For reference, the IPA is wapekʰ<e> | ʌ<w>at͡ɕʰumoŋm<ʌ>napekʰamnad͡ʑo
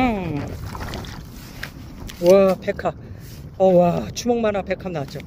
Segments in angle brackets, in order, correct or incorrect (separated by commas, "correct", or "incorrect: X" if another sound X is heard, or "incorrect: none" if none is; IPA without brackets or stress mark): incorrect: a, correct, incorrect: a